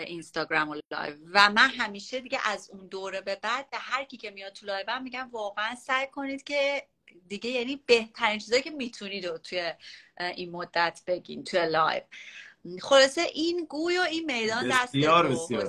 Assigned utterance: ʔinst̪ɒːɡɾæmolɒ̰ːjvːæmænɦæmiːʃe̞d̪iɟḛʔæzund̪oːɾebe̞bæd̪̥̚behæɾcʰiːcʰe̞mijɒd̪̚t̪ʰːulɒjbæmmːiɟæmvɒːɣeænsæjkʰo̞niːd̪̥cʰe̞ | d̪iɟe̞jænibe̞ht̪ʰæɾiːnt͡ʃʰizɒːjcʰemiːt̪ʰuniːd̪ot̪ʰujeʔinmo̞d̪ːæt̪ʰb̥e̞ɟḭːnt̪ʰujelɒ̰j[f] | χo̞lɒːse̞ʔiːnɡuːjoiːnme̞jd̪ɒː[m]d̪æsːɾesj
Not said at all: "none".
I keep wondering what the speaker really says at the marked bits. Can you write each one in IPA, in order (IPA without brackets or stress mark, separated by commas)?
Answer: v, n